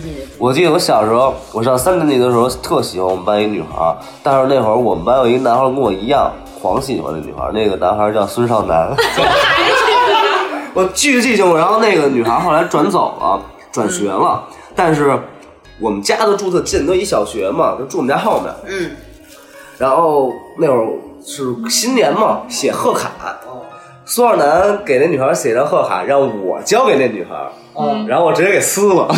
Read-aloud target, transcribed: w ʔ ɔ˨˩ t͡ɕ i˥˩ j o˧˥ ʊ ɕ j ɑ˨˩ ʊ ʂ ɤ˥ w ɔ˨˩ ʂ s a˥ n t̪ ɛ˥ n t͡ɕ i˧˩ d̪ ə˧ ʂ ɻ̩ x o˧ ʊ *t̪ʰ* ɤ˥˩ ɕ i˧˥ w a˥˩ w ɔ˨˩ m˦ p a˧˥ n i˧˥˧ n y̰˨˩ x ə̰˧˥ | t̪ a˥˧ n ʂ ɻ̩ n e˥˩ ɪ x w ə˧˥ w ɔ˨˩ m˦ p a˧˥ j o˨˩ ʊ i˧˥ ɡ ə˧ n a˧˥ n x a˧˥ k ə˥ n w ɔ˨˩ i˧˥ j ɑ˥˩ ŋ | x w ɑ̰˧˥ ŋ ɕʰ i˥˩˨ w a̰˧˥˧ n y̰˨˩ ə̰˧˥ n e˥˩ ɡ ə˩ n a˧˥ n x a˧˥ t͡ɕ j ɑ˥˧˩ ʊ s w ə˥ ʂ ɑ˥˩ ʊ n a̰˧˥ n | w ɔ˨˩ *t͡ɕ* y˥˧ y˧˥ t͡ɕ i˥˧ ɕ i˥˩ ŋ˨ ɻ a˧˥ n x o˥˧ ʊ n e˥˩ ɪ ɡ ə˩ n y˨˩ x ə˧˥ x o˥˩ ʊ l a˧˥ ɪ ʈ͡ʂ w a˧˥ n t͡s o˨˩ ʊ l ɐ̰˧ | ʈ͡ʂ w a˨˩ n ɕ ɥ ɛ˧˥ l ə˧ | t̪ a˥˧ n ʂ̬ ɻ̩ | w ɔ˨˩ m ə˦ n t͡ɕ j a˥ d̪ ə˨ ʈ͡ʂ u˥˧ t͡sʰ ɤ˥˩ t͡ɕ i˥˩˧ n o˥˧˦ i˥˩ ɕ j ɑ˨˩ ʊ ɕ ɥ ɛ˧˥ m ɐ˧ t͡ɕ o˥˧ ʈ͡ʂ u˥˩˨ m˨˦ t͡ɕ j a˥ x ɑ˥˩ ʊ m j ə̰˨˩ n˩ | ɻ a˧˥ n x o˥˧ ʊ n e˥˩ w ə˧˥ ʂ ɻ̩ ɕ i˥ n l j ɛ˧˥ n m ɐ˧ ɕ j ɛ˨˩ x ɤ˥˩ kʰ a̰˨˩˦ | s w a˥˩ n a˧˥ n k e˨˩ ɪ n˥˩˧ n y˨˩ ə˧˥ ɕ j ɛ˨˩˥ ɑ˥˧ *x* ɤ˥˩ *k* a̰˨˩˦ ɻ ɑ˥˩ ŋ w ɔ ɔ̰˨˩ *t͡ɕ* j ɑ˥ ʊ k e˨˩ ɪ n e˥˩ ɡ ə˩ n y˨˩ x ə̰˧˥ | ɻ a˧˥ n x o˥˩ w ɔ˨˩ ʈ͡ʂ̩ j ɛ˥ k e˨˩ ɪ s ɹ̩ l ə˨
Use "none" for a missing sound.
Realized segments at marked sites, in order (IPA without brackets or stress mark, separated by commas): t̪ʰ, t͡ɕ, x, kʰ, t͡ɕ